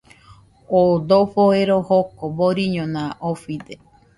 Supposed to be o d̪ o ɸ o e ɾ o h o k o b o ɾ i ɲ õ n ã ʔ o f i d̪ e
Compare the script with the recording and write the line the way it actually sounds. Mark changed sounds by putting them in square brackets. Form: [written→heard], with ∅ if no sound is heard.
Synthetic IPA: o d̪ o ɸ o e ɾ o h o k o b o ɾ i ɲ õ n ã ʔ o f i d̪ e